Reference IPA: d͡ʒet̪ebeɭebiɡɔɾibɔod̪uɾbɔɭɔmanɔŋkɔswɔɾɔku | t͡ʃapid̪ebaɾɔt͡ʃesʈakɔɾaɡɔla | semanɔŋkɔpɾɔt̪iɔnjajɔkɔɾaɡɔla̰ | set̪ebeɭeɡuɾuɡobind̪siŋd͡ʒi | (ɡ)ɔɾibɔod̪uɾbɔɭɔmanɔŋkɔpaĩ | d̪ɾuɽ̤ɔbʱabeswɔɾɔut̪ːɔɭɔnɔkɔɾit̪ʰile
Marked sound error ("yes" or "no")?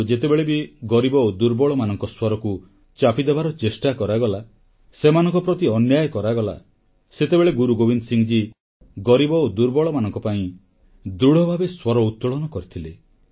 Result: no